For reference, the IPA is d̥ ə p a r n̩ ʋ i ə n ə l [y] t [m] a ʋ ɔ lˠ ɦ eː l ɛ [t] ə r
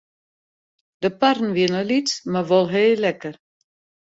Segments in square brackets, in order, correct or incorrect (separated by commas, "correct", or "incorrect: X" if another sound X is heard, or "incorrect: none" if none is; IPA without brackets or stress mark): incorrect: i, correct, incorrect: k